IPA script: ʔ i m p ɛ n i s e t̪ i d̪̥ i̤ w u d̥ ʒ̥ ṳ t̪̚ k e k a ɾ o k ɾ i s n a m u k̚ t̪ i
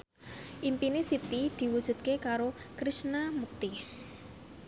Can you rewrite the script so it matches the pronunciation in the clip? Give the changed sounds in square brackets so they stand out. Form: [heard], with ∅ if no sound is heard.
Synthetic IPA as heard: ʔ i m p [i] n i s [i] t̪ i d̪̥ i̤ w u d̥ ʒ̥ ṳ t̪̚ k e k a ɾ o k ɾ i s n a m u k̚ t̪ i